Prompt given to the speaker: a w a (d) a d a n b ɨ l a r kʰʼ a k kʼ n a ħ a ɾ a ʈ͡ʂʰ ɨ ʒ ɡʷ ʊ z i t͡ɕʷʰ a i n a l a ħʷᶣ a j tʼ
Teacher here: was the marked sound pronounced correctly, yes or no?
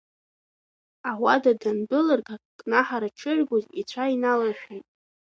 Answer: yes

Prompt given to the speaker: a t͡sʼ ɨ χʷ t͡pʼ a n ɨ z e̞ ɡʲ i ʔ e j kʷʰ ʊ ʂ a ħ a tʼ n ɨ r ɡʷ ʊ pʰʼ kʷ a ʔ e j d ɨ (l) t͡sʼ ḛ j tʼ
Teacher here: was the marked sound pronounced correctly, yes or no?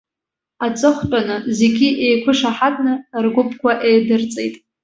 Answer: no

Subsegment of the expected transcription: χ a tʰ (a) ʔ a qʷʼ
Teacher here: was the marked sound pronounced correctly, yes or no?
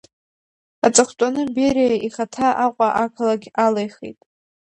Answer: yes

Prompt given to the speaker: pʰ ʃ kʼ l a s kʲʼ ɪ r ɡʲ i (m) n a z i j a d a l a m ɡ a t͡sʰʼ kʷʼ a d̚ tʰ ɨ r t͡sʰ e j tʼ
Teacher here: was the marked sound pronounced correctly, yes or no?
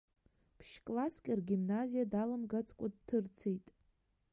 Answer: yes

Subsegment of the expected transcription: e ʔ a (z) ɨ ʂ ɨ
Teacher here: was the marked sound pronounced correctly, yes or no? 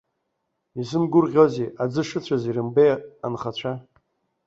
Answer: no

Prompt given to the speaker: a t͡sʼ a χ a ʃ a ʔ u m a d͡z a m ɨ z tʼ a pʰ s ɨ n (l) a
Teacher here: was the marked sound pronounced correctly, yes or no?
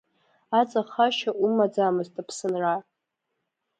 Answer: no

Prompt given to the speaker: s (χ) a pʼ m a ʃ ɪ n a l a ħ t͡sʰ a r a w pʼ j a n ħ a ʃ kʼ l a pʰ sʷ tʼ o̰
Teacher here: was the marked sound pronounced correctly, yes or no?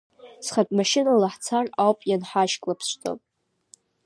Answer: yes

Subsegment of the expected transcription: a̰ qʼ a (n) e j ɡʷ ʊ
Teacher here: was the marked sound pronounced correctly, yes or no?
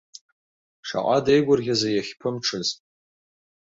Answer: no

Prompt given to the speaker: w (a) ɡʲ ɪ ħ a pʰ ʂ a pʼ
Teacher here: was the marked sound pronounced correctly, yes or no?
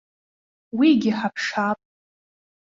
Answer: no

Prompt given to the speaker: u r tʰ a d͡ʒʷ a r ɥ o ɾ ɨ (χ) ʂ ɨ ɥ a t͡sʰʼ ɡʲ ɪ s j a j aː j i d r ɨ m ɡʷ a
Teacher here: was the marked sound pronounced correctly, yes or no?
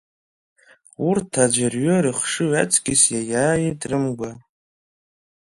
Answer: yes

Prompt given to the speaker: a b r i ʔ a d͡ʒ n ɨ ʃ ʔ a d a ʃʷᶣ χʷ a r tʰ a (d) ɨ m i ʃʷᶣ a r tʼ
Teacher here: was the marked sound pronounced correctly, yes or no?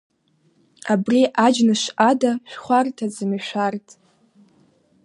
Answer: no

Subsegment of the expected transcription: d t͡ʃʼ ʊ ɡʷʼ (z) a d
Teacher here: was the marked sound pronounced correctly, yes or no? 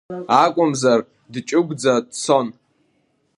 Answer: no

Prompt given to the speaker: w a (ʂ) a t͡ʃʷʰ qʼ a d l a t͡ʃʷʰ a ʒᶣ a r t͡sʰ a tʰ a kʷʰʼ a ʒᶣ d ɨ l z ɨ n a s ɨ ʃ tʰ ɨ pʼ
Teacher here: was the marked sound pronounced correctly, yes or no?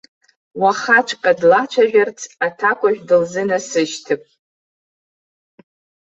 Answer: no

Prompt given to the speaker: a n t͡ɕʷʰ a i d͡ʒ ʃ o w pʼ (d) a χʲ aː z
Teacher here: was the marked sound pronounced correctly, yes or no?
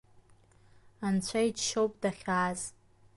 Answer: yes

